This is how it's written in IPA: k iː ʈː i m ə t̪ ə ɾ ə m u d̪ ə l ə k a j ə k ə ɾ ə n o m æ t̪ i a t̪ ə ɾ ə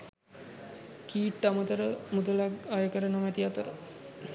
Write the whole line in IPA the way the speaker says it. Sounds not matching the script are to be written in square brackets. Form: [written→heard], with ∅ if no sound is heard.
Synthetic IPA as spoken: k iː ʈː [i→a] m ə t̪ ə ɾ ə m u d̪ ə l [ə→a] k a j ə k ə ɾ ə n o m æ t̪ i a t̪ ə ɾ ə